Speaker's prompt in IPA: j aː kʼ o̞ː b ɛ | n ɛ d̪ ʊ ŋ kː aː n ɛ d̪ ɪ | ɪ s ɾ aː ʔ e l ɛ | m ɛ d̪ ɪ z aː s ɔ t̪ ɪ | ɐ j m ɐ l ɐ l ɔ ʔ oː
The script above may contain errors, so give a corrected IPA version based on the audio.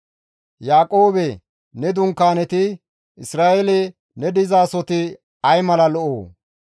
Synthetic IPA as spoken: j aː kʼ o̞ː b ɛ | n ɛ d̪ ʊ ŋ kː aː n ɛ t̪ ɪ | ɪ s ɾ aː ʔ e l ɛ | n ɛ d̪ ɪ z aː s ɔ t̪ ɪ | ɐ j m ɐ l ɐ l ɔ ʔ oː